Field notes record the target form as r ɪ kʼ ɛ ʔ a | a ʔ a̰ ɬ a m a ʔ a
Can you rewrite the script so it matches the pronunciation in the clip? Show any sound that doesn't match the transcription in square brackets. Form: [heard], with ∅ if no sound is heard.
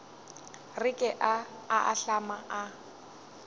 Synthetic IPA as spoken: r ɪ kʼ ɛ ʔ a | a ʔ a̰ ɬ a m a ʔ a